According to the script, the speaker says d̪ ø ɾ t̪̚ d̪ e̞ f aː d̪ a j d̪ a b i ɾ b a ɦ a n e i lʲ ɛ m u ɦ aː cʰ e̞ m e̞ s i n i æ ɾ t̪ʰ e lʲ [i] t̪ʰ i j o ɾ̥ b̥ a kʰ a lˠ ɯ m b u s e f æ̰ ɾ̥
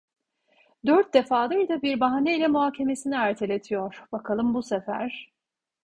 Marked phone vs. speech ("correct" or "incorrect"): incorrect